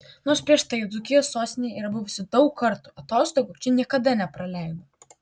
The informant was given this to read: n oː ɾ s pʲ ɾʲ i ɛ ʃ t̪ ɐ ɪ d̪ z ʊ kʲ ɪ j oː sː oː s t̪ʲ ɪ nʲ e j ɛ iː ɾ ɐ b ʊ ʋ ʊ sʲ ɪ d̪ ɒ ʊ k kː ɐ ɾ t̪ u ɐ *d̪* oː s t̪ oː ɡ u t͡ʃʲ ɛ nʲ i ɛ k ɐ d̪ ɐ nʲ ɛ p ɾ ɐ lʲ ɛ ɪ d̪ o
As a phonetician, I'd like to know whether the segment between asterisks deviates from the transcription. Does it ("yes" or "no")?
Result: yes